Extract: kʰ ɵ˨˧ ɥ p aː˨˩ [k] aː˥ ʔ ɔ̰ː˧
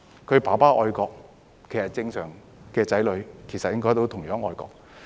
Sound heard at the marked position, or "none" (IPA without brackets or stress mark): p